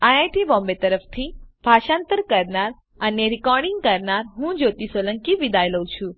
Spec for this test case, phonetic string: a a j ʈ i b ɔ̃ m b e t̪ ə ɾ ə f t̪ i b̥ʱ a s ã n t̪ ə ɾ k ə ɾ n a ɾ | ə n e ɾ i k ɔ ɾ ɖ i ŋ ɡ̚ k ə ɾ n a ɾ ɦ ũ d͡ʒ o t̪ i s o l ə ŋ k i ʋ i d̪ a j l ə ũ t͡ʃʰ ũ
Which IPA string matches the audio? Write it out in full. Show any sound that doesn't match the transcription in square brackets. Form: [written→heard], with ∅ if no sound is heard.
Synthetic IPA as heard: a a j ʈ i b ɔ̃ m b e t̪ ə ɾ ə f [t̪→t̪ʰ] i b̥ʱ a [s→ʃ] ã n t̪ ə ɾ k ə ɾ n a ɾ | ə n e ɾ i k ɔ ɾ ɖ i ŋ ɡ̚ k ə ɾ n a ɾ ɦ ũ d͡ʒ o t̪ i s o l ə ŋ k i ʋ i d̪ a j l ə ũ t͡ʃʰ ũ